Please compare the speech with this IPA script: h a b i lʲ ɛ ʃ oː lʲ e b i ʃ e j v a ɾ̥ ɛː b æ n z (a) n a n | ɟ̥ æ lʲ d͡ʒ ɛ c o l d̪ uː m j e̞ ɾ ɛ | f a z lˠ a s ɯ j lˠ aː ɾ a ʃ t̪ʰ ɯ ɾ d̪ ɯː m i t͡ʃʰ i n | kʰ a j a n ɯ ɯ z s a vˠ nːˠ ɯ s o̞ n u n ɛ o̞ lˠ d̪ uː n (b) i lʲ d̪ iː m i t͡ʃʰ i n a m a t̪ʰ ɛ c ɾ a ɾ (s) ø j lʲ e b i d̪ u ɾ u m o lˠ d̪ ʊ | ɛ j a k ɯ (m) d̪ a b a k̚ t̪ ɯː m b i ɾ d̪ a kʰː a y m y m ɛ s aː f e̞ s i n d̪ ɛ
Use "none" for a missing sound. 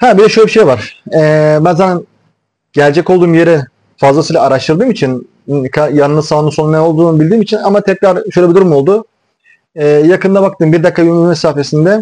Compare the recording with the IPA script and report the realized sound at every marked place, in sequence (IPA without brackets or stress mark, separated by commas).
a, b, ʃ, n